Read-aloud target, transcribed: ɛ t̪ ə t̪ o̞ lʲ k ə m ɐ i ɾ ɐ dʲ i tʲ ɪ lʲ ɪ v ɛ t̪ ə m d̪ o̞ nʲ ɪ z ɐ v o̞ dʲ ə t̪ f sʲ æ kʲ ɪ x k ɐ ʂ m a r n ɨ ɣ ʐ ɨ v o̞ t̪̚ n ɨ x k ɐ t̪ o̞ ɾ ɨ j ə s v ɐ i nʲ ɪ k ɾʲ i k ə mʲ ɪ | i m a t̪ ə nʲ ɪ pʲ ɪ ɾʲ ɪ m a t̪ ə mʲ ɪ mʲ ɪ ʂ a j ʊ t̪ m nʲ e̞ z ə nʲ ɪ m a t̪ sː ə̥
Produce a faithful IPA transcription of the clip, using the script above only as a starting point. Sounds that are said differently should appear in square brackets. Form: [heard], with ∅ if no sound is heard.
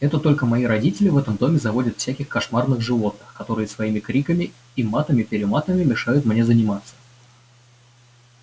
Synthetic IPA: ɛ t̪ ə t̪ o̞ lʲ k ə m ɐ i ɾ ɐ dʲ i tʲ ɪ lʲ ɪ v ɛ t̪ ə m d̪ o̞ [mʲ] ɪ z ɐ v o̞ dʲ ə t̪ f sʲ æ kʲ ɪ x k ɐ ʂ m a r n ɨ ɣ ʐ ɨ v o̞ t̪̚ n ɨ x k ɐ t̪ o̞ ɾ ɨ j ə s v ɐ i [mʲ] ɪ k ɾʲ i k ə mʲ ɪ | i m a t̪ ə [mʲ] ɪ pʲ ɪ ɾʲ ɪ m a t̪ ə mʲ ɪ mʲ ɪ ʂ a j ʊ t̪ m nʲ e̞ z ə nʲ ɪ m a t̪ sː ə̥

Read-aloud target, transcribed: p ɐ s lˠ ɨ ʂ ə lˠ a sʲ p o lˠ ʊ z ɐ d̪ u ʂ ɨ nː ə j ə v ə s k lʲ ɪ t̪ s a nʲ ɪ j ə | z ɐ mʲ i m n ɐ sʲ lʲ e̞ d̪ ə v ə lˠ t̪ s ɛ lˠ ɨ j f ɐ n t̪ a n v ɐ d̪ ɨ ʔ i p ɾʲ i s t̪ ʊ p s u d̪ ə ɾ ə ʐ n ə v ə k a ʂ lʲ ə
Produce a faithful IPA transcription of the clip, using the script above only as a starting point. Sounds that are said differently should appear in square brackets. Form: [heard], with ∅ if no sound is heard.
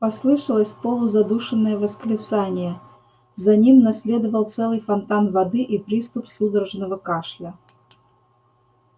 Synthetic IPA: p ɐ s lˠ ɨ ʂ ə lˠ [ə] sʲ p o lˠ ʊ z ɐ d̪ u ʂ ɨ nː ə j ə v ə s k lʲ ɪ t̪ s a nʲ ɪ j ə | z ɐ [nʲ] i m n ɐ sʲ lʲ e̞ d̪ ə v ə lˠ t̪ s ɛ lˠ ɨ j f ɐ n t̪ a n v ɐ d̪ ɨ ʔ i p ɾʲ i s t̪ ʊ p s u d̪ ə ɾ ə ʐ n ə v ə k a ʂ lʲ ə

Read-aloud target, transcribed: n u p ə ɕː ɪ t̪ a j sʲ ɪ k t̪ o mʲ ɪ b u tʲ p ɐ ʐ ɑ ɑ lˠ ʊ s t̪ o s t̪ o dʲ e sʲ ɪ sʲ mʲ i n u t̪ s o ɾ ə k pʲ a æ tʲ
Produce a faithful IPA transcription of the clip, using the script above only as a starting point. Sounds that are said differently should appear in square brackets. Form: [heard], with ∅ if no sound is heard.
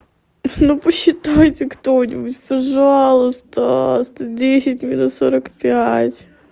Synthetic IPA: n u p ə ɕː ɪ t̪ a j [tʲ] ɪ k t̪ o [nʲ] ɪ b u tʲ p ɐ ʐ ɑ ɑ lˠ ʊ s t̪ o s t̪ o dʲ e sʲ ɪ [tʲ] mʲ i n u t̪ s o ɾ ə k pʲ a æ tʲ

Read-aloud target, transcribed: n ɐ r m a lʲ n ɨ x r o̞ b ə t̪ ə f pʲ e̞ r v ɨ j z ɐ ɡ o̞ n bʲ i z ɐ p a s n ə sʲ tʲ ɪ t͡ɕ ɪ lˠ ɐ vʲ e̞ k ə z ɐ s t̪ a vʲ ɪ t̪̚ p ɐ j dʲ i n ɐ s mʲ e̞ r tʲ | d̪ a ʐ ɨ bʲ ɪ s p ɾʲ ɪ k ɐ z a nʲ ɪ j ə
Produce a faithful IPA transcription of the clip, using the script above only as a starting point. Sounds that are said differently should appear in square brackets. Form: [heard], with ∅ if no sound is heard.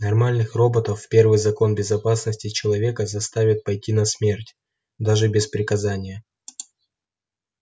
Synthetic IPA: n ɐ r m a lʲ n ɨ x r o̞ b ə t̪ ə f pʲ e̞ r v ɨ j z ɐ [k] o̞ n bʲ [ɪ] z ɐ p a s n ə sʲ tʲ ɪ t͡ɕ ɪ lˠ ɐ vʲ e̞ k ə z ɐ s t̪ a vʲ ɪ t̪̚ p ɐ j [tʲ] i n ɐ s mʲ e̞ r tʲ | d̪ a ʐ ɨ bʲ ɪ s p ɾʲ ɪ k ɐ z a nʲ ɪ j ə

